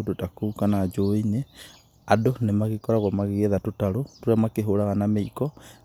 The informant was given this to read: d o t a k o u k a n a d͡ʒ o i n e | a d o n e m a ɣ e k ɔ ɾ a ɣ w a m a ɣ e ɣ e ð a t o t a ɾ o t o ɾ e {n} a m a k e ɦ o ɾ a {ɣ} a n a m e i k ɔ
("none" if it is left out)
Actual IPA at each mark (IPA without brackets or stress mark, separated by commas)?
none, ɣ